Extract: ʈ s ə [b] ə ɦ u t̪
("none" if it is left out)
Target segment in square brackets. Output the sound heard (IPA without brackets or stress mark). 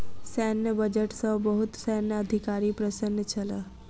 b